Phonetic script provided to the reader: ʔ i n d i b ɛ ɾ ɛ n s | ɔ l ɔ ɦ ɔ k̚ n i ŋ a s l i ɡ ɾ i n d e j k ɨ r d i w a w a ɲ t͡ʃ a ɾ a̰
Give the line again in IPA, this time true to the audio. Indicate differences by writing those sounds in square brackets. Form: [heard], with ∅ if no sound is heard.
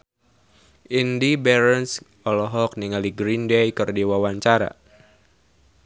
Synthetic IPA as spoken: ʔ i n d i b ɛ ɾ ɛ n s | ɔ l ɔ ɦ ɔ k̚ n i ŋ a [∅] l i ɡ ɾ i n d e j k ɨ r d i w a w a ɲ t͡ʃ a ɾ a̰